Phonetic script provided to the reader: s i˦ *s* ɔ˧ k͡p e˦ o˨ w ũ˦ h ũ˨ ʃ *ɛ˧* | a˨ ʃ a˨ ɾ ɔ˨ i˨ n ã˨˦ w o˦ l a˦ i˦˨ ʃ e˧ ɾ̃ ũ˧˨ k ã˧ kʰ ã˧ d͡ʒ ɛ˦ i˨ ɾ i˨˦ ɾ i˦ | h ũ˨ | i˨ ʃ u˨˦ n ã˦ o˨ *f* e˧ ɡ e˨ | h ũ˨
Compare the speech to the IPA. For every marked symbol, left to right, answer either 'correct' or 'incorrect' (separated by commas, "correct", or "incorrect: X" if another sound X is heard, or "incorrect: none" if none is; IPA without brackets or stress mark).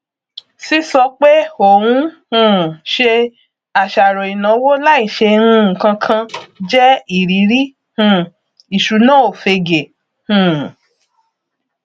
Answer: correct, incorrect: e˧, correct